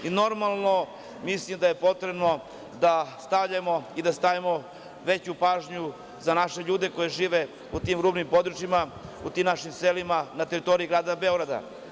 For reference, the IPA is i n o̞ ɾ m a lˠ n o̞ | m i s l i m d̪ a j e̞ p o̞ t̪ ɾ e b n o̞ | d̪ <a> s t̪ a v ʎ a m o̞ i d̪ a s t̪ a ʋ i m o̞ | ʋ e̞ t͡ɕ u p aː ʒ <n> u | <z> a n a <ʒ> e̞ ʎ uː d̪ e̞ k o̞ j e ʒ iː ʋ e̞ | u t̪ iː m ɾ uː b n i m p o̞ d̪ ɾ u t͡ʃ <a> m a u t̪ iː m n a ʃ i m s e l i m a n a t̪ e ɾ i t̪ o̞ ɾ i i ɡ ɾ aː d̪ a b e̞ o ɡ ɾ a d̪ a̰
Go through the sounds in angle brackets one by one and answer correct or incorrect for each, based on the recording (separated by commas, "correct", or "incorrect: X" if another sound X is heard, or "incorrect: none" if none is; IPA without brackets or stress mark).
correct, incorrect: ɲ, correct, incorrect: ʃ, incorrect: i